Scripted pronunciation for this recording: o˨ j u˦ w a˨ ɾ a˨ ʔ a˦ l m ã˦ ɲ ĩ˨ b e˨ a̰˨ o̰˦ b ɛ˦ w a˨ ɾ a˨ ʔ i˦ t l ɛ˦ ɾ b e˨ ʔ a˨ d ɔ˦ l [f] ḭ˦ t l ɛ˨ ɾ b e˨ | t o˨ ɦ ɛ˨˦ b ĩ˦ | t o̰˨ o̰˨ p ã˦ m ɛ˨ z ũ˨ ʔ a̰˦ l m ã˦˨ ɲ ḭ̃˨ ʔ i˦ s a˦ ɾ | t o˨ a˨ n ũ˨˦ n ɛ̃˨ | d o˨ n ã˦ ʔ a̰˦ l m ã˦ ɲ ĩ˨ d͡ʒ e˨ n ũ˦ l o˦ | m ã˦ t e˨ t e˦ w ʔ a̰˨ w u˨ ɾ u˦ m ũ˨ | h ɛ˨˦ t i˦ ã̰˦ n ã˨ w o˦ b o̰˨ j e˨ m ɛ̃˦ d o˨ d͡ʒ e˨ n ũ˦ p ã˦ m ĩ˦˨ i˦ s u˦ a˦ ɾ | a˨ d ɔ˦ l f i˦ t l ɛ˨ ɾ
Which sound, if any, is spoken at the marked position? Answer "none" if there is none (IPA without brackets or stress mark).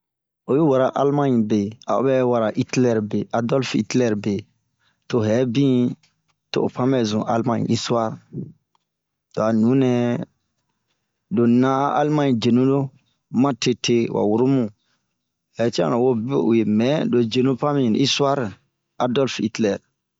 f